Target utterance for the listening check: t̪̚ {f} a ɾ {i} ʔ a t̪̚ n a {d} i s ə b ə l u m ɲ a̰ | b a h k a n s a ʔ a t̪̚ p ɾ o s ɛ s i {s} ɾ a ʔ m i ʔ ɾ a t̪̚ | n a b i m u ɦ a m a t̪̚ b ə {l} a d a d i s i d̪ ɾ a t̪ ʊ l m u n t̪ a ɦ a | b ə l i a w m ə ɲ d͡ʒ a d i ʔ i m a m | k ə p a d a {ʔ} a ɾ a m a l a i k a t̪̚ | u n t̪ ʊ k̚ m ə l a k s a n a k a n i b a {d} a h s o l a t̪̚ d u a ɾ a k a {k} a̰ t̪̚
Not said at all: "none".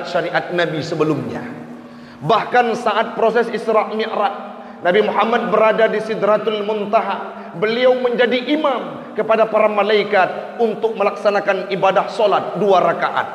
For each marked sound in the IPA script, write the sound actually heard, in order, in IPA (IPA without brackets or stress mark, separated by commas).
ʃ, i, b, s, ɾ, p, d, ʔ